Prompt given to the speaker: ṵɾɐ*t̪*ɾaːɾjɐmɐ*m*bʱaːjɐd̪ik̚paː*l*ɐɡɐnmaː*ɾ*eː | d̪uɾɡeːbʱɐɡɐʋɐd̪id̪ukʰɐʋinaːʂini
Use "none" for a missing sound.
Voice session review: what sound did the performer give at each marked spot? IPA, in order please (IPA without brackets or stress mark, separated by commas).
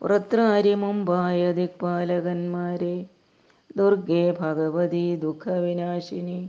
t̪, m, l, ɾ